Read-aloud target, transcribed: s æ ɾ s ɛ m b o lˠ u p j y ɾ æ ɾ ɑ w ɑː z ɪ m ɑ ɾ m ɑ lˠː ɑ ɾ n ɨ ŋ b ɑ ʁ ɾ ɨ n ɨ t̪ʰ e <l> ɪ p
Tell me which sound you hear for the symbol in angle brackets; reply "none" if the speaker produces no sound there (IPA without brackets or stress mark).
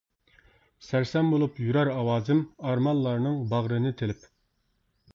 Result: l